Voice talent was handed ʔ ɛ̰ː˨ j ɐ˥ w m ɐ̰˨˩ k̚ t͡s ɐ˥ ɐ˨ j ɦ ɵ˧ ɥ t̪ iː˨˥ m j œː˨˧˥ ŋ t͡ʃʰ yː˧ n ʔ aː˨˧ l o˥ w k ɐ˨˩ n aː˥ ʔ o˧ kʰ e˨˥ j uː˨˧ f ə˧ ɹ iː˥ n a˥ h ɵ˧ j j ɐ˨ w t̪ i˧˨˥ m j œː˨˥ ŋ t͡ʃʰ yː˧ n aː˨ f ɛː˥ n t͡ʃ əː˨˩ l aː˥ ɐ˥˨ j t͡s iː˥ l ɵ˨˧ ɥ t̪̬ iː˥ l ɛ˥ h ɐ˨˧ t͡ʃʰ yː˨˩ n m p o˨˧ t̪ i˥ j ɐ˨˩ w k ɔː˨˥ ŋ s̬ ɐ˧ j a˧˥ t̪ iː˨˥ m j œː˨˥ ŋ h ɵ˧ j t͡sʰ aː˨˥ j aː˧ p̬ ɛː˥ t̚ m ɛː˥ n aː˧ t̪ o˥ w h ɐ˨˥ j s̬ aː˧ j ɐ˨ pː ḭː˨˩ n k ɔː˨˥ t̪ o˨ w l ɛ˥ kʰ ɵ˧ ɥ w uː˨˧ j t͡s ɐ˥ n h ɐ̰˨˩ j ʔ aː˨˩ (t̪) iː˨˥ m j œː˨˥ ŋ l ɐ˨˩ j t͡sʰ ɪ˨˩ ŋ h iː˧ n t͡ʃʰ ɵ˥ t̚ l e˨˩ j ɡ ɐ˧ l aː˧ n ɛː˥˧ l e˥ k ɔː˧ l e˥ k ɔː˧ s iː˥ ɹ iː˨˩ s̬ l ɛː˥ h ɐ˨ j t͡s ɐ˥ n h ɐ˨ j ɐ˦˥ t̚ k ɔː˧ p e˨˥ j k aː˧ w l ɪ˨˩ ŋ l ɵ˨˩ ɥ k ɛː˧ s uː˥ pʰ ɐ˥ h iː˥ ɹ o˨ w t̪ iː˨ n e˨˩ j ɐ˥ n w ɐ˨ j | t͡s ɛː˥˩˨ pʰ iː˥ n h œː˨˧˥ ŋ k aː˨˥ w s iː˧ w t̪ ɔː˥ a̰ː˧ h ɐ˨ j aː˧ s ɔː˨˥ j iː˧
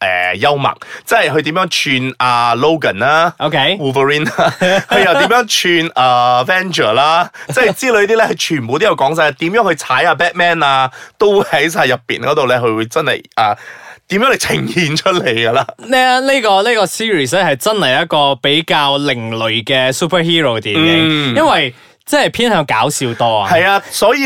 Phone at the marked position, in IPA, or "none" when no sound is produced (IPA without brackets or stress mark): t̪